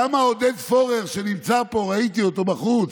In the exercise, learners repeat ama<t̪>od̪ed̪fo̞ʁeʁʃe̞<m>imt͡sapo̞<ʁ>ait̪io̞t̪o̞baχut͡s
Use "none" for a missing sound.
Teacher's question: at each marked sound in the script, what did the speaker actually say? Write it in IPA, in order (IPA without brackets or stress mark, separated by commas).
none, n, ʁ